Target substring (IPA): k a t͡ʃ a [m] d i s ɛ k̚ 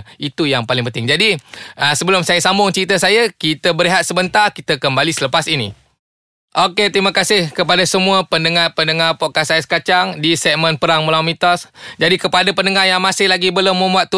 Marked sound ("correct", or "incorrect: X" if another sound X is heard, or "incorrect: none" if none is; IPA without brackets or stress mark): incorrect: ŋ